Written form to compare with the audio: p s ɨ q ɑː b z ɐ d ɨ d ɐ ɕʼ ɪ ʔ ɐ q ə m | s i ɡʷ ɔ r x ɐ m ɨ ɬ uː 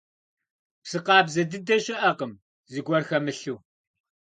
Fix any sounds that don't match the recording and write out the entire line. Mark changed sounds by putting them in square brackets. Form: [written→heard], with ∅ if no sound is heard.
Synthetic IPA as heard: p s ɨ q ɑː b z ɐ d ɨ d ɐ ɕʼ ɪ ʔ ɐ q ə m | [s→z] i ɡʷ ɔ r x ɐ m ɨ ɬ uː